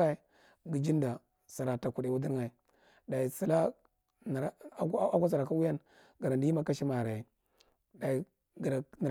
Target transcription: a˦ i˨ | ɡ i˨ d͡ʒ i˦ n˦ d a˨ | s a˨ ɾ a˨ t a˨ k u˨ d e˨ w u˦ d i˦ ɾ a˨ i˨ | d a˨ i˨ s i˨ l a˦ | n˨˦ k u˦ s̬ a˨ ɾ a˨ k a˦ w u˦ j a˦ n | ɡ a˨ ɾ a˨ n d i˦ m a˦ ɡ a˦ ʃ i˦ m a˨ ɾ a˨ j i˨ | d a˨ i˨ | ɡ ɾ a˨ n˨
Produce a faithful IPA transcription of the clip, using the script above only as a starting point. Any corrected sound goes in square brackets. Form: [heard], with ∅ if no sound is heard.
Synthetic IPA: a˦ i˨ | ɡ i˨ d͡ʒ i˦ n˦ d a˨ | s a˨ ɾ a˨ t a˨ k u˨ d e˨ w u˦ d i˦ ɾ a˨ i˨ | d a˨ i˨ s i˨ l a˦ | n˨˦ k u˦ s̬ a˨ ɾ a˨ k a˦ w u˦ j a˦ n | ɡ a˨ ɾ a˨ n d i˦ m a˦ [k] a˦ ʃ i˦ m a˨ ɾ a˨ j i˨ | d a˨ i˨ | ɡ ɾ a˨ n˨